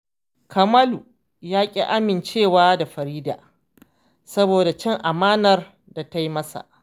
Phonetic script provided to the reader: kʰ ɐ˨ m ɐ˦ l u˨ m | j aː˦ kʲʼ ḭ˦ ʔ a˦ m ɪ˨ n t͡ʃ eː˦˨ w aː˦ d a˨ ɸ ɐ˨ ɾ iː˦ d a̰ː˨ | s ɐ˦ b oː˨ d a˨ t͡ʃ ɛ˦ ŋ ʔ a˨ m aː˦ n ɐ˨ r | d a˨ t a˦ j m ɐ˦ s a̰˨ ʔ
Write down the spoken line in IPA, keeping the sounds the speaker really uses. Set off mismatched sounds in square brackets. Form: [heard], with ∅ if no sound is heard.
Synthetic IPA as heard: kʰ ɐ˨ m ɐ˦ l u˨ [∅] | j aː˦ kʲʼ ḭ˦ ʔ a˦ m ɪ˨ n t͡ʃ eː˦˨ w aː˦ d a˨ ɸ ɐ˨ ɾ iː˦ d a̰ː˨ | s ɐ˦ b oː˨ d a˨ t͡ʃ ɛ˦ ŋ ʔ a˨ m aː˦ n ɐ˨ r | d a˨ t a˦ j m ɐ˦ s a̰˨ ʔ